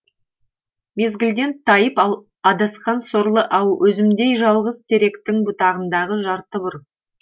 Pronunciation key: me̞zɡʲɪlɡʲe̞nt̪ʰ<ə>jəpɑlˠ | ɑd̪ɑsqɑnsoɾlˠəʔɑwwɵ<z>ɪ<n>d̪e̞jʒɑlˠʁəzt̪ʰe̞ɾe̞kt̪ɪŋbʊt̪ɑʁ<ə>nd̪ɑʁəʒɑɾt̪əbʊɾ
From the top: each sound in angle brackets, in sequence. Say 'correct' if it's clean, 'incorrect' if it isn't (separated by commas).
incorrect, correct, incorrect, correct